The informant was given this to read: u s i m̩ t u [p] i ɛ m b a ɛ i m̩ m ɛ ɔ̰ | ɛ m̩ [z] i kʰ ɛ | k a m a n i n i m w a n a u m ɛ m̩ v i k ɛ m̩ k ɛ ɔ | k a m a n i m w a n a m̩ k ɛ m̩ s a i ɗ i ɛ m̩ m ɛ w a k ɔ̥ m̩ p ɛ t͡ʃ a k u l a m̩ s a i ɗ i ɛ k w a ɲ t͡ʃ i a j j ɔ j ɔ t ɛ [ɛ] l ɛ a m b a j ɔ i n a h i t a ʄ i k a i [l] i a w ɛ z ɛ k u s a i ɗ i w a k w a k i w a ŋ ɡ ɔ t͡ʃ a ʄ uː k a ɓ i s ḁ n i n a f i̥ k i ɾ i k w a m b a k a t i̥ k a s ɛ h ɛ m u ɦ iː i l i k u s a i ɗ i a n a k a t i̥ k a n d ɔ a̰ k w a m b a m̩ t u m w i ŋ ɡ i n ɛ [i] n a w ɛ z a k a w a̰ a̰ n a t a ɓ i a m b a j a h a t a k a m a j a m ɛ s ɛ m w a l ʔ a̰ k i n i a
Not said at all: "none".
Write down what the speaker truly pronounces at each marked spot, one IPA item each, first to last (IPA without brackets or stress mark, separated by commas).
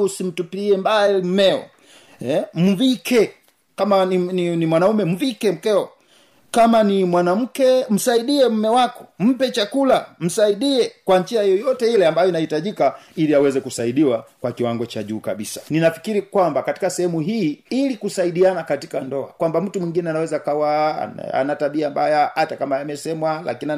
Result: p, v, i, l, a